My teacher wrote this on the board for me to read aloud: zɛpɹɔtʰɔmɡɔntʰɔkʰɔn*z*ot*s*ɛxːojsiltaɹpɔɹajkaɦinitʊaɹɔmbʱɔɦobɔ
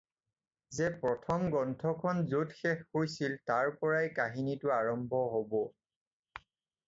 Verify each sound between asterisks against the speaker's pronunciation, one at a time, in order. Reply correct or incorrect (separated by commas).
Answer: correct, incorrect